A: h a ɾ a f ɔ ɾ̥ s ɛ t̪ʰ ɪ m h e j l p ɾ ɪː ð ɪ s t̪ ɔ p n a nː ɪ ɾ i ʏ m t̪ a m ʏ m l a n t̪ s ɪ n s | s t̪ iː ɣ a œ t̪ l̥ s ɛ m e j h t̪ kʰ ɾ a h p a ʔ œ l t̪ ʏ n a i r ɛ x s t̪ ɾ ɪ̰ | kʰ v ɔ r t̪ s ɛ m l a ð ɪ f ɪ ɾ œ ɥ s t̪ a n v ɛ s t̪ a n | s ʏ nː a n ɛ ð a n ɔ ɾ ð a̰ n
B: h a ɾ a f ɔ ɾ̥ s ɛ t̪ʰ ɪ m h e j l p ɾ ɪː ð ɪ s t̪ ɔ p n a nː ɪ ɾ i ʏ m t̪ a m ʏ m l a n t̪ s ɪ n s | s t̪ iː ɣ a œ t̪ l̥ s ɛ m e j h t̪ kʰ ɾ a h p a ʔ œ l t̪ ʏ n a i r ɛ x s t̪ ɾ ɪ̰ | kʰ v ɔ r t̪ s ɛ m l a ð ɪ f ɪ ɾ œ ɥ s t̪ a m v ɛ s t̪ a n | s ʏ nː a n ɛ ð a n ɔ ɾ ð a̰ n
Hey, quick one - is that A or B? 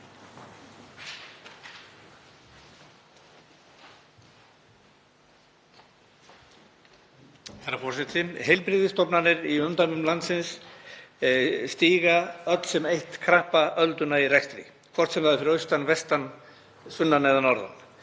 A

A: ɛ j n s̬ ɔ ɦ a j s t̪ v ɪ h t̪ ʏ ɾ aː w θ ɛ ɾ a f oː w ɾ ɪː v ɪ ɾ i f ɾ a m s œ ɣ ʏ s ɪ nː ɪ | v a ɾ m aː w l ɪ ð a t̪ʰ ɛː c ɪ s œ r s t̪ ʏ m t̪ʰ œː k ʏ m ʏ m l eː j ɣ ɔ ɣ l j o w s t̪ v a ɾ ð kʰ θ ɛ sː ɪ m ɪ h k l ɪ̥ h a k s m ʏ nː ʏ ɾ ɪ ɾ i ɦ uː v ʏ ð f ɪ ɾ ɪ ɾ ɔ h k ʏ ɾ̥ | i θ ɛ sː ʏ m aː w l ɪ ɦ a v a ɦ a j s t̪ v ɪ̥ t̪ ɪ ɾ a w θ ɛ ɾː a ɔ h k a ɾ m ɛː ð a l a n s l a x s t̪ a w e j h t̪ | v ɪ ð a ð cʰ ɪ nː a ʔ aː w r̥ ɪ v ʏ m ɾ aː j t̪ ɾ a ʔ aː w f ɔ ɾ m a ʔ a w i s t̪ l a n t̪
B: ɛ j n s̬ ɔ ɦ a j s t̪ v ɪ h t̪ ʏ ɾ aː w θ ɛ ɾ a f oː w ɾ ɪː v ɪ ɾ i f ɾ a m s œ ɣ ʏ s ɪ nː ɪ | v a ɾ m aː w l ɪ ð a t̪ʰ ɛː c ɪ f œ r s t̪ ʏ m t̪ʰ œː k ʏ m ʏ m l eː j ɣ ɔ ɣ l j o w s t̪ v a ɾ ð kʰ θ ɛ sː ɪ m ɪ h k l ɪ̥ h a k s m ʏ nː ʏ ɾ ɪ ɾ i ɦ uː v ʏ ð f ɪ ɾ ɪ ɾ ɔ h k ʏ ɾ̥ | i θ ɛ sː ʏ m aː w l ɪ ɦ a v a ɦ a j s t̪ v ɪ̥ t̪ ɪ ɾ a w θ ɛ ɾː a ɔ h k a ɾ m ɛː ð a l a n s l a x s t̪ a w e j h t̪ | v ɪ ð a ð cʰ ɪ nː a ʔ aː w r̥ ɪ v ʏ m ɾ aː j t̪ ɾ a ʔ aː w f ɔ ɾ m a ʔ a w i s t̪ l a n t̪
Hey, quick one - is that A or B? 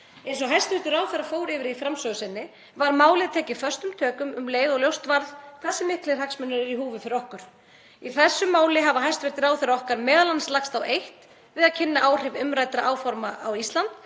B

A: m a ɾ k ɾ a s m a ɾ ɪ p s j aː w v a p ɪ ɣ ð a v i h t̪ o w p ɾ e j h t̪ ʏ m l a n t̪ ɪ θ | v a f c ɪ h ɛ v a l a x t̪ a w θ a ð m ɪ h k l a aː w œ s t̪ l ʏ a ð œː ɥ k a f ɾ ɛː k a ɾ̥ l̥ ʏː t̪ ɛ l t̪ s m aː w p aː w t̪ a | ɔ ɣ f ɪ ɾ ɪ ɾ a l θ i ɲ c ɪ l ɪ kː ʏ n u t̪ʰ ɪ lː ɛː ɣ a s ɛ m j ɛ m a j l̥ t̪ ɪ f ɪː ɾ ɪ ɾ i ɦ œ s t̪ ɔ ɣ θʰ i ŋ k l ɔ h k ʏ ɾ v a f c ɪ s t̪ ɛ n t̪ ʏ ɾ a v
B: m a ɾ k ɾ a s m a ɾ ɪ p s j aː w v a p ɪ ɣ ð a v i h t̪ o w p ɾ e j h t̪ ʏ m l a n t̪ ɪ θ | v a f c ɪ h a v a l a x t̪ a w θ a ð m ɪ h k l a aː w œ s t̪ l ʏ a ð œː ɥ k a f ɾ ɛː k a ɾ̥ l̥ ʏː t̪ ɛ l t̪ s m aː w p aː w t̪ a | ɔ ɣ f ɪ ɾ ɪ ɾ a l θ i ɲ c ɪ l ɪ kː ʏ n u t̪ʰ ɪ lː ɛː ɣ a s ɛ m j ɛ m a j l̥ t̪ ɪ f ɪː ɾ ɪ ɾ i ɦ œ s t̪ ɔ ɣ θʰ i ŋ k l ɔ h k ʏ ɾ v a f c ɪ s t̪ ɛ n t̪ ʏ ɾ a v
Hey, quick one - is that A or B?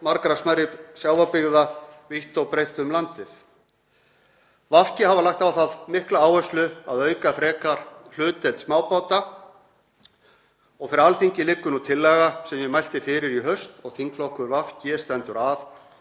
B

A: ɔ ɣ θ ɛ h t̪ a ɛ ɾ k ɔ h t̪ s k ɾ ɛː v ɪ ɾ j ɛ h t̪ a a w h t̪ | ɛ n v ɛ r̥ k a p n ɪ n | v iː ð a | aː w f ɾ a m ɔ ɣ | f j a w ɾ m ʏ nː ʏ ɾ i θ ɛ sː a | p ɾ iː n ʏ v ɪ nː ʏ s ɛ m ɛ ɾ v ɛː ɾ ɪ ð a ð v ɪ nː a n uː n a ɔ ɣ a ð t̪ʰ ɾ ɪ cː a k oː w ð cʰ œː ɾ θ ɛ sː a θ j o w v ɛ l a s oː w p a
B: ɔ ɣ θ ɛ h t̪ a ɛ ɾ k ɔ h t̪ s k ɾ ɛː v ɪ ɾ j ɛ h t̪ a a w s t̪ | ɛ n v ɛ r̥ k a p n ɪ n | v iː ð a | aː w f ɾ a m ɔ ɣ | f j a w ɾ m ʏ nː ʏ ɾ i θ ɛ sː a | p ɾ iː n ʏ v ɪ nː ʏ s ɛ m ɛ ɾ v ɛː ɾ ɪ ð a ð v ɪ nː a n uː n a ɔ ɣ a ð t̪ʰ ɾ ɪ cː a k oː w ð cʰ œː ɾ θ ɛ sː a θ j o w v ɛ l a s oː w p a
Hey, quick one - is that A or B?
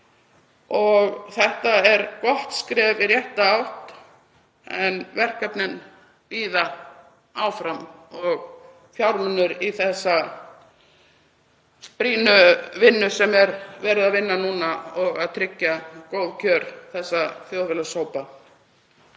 A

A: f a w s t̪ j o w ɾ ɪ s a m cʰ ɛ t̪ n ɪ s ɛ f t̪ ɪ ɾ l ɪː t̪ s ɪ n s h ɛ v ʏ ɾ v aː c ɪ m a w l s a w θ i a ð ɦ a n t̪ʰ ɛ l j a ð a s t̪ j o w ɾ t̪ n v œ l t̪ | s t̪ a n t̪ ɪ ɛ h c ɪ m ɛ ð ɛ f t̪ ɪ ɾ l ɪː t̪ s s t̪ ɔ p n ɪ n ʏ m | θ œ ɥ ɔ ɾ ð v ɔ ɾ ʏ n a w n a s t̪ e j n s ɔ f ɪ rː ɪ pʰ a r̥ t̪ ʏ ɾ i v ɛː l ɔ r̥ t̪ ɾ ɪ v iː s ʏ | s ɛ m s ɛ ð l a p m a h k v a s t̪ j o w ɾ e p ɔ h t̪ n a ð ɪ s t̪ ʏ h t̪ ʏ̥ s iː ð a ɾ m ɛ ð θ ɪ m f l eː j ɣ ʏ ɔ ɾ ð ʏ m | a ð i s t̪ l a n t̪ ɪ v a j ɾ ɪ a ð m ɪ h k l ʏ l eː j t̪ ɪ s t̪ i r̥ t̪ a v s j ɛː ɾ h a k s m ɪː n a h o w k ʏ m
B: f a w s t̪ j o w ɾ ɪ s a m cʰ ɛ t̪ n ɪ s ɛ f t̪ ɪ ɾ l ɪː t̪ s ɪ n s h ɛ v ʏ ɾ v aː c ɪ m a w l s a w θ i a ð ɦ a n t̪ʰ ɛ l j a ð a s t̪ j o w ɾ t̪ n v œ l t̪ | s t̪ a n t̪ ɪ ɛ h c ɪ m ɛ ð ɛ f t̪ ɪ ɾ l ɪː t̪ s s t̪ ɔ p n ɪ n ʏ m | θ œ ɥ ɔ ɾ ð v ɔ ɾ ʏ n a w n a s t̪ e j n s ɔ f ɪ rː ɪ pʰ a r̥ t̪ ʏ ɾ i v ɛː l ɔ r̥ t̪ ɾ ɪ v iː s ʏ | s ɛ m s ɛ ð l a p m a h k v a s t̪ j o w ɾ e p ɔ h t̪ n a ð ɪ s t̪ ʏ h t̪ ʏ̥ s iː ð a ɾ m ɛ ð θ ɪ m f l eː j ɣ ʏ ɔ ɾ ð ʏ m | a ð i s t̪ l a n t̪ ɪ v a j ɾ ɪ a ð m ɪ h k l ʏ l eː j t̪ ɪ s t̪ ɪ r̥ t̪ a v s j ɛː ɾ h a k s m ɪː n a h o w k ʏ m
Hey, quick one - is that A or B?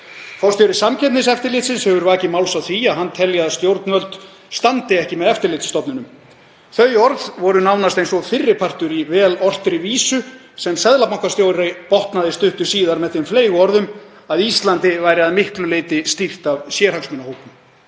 A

